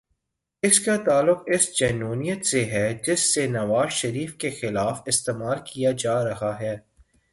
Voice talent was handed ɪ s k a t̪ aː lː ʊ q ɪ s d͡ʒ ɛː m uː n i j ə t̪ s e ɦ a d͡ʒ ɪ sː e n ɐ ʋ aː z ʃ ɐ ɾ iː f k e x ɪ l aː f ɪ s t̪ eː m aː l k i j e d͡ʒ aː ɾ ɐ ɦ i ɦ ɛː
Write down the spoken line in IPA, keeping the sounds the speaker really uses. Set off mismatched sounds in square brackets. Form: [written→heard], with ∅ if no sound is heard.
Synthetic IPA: ɪ s k a t̪ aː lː ʊ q ɪ s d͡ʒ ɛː [m→n] uː n i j ə t̪ s e ɦ [a→ɛ] d͡ʒ ɪ sː e n ɐ ʋ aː z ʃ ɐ ɾ iː f k e x ɪ l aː f ɪ s t̪ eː m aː l k i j [e→a] d͡ʒ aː ɾ ɐ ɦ [i→a] ɦ ɛː